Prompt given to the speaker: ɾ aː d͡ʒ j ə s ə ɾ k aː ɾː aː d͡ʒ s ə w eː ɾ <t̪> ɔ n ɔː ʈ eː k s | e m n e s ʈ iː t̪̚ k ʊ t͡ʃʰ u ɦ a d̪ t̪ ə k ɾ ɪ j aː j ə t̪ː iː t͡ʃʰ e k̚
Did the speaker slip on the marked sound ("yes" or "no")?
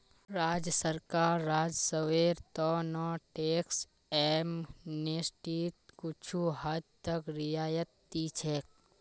no